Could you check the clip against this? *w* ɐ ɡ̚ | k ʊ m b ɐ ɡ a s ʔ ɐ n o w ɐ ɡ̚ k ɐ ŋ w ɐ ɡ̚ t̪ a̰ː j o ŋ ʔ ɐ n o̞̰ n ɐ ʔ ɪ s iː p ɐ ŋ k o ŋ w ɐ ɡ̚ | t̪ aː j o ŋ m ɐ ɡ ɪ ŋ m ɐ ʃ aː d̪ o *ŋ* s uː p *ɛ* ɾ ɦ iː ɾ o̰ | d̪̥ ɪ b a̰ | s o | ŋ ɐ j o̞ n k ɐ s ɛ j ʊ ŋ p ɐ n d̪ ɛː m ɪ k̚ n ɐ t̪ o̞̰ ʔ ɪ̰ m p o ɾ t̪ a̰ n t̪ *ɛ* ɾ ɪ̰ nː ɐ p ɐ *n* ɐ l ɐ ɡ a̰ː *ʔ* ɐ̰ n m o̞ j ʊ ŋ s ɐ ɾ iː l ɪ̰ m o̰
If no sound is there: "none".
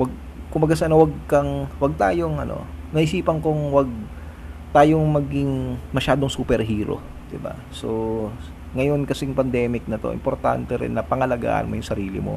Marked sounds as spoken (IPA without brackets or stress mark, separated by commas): w, ŋ, ɛ, ɛ, ŋ, ʔ